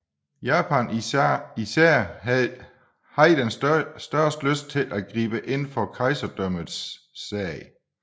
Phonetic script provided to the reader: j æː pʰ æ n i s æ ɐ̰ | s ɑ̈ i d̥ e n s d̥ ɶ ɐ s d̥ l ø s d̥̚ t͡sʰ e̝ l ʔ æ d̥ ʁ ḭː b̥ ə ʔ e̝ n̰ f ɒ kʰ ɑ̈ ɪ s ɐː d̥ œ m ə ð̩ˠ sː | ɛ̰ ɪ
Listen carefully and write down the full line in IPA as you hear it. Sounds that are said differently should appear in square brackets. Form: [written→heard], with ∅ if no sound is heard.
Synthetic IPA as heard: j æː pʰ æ n i s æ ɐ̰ | [s→h] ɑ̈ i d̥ e n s d̥ ɶ ɐ s d̥ l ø s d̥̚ t͡sʰ e̝ l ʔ æ [d̥→ɡ̥] ʁ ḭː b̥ ə ʔ e̝ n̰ f ɒ kʰ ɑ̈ ɪ s [ɐː→ɐ] d̥ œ m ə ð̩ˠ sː | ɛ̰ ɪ